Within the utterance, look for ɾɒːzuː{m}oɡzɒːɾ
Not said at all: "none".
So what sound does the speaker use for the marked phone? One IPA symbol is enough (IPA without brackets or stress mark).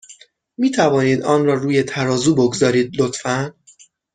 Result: b